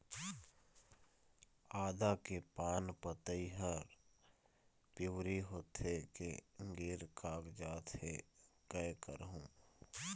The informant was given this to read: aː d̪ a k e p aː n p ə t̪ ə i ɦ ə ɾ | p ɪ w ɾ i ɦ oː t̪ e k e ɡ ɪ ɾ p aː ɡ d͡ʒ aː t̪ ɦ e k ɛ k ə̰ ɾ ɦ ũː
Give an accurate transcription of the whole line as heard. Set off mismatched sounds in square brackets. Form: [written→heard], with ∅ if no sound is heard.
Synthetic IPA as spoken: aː d̪ a k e p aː n p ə t̪ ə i ɦ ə ɾ | p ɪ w ɾ i ɦ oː t̪ e k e ɡ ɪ ɾ [p→k] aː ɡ d͡ʒ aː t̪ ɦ e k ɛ k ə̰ ɾ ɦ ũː